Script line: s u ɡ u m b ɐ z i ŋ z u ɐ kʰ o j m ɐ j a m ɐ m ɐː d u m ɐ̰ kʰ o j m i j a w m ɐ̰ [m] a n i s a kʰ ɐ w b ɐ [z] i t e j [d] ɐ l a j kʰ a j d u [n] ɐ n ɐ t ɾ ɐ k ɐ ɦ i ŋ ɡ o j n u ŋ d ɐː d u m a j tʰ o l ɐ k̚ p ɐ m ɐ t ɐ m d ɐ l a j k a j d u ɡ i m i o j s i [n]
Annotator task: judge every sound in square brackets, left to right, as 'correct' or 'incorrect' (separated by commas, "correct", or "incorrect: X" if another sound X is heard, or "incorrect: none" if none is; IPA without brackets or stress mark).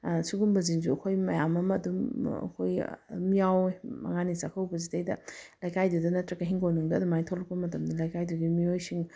incorrect: ŋ, correct, correct, incorrect: d, incorrect: ŋ